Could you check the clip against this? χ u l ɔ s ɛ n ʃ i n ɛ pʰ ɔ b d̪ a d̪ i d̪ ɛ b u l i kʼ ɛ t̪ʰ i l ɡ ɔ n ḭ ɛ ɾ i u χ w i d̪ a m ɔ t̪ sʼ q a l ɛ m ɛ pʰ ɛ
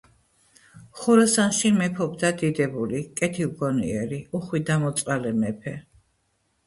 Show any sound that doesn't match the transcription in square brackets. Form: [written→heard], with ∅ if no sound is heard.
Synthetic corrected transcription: χ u [l→ɾ] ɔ s [ɛ→a] n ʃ i [n→m] ɛ pʰ ɔ b d̪ a d̪ i d̪ ɛ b u l i kʼ ɛ t̪ʰ i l ɡ ɔ n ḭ ɛ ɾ i u χ w i d̪ a m ɔ t̪ sʼ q a l ɛ m ɛ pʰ ɛ